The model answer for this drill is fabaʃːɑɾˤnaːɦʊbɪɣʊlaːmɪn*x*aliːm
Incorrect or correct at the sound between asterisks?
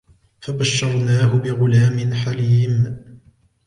incorrect: ħ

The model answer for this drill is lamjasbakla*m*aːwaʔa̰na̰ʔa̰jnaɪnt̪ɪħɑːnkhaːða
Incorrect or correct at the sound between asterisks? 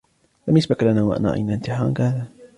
incorrect: n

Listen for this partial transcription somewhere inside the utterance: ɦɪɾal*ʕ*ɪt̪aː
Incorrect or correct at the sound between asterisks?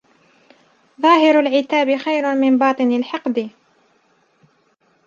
correct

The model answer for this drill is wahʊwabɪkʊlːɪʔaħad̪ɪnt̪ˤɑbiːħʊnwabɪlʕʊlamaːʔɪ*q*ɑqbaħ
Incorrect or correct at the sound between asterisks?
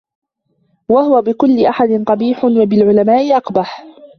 incorrect: ʔ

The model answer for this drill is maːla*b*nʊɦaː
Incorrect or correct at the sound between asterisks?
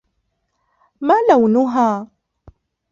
incorrect: w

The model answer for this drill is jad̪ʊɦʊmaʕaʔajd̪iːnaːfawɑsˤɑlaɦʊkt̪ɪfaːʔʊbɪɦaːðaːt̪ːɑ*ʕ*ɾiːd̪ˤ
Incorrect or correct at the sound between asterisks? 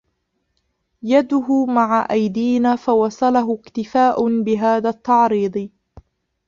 correct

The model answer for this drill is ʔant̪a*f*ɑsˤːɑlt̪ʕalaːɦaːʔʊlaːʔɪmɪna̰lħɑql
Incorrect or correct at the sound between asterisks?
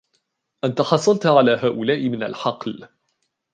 incorrect: ħ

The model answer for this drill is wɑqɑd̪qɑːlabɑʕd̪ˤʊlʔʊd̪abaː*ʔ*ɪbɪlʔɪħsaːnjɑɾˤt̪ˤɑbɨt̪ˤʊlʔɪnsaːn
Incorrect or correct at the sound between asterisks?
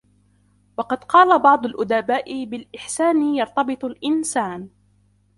correct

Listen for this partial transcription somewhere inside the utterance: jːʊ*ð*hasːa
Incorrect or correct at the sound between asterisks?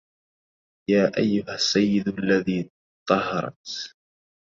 incorrect: none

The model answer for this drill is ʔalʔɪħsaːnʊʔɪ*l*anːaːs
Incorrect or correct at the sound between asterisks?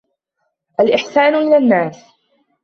correct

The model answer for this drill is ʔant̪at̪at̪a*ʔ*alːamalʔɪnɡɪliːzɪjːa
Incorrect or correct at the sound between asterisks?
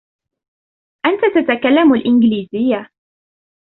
incorrect: k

